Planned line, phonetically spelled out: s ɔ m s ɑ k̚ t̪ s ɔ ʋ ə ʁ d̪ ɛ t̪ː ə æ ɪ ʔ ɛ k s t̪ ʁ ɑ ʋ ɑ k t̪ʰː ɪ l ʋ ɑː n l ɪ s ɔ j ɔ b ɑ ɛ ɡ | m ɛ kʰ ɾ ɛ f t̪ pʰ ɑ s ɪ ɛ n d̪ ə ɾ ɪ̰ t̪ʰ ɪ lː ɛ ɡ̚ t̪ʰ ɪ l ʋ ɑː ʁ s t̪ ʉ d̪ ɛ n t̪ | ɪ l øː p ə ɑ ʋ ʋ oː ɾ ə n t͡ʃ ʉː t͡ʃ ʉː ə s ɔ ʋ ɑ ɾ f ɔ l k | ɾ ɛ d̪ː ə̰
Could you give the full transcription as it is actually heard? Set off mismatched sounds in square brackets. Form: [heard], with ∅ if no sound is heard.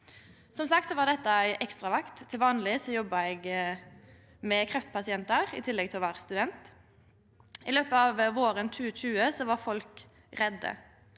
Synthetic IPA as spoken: s ɔ m s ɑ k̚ t̪ s ɔ ʋ [ɑ] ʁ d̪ ɛ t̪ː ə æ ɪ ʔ ɛ k s t̪ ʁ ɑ ʋ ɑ k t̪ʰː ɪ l ʋ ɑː n l ɪ s ɔ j ɔ b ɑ ɛ ɡ | m ɛ kʰ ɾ ɛ f t̪ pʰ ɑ s ɪ ɛ n [t̪] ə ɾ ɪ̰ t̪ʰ ɪ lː ɛ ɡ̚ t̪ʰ ɪ l ʋ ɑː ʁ s t̪ ʉ d̪ ɛ n t̪ | ɪ l øː p ə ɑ ʋ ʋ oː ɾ ə n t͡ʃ ʉː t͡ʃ ʉː ə s ɔ ʋ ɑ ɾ f ɔ l k | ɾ ɛ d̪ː ə̰

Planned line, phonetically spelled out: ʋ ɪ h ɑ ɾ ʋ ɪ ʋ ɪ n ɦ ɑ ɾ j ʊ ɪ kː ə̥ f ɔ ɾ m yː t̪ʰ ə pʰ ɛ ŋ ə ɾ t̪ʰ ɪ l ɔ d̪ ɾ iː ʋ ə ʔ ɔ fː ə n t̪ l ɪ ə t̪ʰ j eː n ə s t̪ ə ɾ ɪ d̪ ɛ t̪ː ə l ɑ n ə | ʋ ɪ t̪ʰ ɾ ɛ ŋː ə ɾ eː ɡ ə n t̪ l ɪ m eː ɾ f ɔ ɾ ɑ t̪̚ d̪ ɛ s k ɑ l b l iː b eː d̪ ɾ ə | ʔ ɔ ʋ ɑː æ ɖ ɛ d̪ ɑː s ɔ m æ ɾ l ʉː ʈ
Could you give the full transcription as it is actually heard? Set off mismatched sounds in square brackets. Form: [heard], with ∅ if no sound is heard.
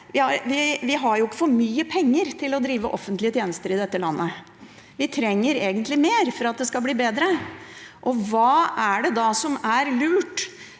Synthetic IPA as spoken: ʋ ɪ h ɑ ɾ ʋ ɪ ʋ ɪ [∅] ɦ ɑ ɾ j ʊ ɪ kː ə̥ f ɔ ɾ m yː [∅] ə pʰ ɛ [ŋː] ə ɾ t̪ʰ ɪ l ɔ d̪ ɾ iː ʋ ə ʔ ɔ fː ə n t̪ l ɪ ə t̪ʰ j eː n ə s t̪ ə ɾ ɪ d̪ ɛ t̪ː ə l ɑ [nː] ə | ʋ ɪ t̪ʰ ɾ ɛ ŋː ə ɾ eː ɡ ə n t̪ l ɪ m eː ɾ f ɔ ɾ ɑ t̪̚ d̪ ɛ s k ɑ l b l iː b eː d̪ ɾ ə | ʔ ɔ ʋ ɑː æ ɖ ɛ d̪ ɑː s ɔ m æ ɾ l ʉː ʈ

